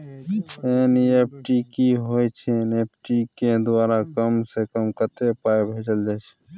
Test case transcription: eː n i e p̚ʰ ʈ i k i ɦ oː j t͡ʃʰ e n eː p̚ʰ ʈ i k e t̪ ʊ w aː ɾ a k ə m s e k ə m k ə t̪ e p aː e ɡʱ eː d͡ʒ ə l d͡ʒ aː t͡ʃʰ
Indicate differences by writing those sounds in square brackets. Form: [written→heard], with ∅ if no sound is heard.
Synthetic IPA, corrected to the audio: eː n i e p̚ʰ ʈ i k i ɦ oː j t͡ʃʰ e n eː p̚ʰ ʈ i k e [t̪→d̪] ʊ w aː ɾ a k ə m s e k ə m k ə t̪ e p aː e [ɡʱ→bʱ] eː d͡ʒ ə l d͡ʒ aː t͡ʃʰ